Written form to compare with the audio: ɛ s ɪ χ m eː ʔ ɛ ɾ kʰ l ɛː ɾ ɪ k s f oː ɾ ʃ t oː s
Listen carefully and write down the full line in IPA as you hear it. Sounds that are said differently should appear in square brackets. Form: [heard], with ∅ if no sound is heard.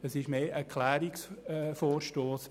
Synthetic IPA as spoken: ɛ s ɪ [ʃ] m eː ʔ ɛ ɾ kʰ l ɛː ɾ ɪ k s f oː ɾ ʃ t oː s